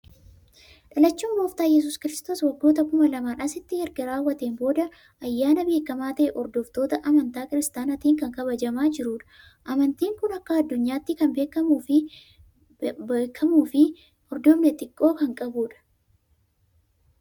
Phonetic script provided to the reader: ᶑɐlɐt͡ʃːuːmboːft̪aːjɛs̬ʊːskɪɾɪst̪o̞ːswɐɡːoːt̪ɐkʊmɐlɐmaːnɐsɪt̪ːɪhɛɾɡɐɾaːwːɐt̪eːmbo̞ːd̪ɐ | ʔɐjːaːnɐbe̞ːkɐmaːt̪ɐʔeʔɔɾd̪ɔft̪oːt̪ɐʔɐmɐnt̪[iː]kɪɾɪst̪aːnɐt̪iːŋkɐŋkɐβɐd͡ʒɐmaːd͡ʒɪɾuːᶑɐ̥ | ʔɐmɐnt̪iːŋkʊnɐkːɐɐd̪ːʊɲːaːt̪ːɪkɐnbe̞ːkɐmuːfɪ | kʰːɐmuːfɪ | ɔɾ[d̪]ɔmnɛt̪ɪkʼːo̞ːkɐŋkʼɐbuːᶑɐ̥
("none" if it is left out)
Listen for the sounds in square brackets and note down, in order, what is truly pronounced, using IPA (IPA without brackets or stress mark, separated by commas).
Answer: aː, d̪